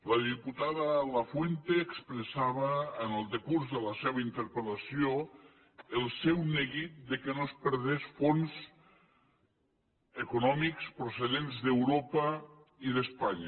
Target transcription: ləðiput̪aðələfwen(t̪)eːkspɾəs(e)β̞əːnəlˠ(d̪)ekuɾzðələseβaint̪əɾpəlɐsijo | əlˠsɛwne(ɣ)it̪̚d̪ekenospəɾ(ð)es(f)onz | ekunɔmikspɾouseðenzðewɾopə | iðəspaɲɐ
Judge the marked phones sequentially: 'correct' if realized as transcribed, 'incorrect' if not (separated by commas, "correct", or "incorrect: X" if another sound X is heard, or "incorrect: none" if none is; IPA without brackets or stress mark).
correct, incorrect: a, correct, correct, correct, correct